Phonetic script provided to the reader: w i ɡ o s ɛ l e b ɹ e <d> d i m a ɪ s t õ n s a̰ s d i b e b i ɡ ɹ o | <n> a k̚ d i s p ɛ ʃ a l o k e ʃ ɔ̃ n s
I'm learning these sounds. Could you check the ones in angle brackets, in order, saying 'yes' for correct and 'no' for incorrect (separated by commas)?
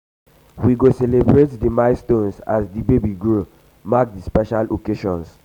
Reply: no, no